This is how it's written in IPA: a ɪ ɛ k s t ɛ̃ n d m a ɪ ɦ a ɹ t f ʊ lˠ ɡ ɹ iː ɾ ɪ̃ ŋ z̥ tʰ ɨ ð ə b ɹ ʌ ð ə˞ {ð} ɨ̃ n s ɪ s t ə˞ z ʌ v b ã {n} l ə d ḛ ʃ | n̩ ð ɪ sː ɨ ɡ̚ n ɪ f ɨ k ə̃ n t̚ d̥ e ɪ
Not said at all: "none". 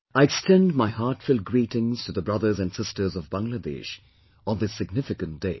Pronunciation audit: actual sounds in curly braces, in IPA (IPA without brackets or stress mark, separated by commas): z, ŋ